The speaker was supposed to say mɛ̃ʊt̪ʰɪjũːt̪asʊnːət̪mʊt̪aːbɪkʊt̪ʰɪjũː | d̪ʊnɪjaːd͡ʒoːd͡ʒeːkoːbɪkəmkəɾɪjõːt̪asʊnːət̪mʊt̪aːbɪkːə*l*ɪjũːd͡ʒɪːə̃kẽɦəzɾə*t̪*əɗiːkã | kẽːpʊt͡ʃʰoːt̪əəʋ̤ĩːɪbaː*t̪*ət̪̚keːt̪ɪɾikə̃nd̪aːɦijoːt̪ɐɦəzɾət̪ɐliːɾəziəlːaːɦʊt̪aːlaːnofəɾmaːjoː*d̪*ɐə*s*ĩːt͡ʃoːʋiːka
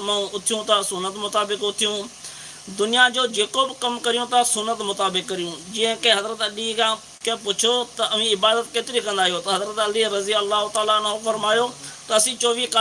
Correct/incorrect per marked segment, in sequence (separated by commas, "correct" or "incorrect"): incorrect, correct, incorrect, incorrect, correct